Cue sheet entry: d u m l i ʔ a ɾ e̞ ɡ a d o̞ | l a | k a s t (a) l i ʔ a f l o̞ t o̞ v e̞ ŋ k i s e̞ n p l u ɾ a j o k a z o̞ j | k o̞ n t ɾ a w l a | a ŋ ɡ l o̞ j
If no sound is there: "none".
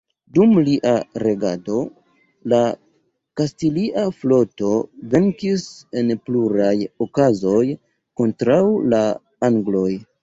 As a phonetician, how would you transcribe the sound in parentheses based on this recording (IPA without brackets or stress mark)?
i